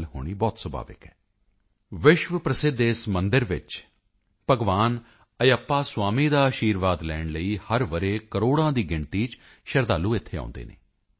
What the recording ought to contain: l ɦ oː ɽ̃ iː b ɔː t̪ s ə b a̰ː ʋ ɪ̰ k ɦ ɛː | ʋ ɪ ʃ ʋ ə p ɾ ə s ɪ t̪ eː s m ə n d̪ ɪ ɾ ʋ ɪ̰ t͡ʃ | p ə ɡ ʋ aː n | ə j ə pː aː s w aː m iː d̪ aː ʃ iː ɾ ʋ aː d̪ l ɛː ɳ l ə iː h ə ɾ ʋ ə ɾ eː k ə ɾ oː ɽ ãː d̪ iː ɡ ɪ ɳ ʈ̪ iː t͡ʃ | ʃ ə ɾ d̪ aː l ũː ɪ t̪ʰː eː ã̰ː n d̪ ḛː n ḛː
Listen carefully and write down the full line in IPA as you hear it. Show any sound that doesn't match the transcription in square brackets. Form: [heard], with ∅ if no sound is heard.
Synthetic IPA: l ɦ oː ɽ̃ iː b ɔː t̪ s ə b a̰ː ʋ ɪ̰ k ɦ ɛː | ʋ ɪ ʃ ʋ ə p ɾ ə s ɪ [d̪] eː s m ə n d̪ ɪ ɾ ʋ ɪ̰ t͡ʃ | p ə ɡ ʋ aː n | ə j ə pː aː s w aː m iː d̪ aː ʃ iː ɾ ʋ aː d̪ l ɛː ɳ l ə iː h ə ɾ ʋ ə ɾ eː k ə ɾ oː ɽ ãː d̪ iː ɡ ɪ ɳ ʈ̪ iː t͡ʃ | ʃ ə ɾ d̪ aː l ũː ɪ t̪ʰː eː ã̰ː n d̪ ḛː n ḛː